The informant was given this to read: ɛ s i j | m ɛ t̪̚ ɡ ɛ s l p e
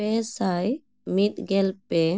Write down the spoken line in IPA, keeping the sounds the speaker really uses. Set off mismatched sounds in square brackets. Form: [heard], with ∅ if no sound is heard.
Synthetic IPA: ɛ s [a] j | m [i] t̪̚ ɡ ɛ [∅] l p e